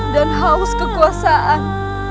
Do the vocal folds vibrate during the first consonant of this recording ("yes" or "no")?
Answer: yes